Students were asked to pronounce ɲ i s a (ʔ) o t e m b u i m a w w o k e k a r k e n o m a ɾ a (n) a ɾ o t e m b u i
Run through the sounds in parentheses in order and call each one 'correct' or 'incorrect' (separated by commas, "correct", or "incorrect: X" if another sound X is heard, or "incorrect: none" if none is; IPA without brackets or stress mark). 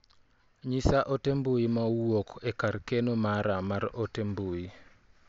correct, incorrect: m